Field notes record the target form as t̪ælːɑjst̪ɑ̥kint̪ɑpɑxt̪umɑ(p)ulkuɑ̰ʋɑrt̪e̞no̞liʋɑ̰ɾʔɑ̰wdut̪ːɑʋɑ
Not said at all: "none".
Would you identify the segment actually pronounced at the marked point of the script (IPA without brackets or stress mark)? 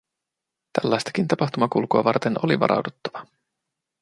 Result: k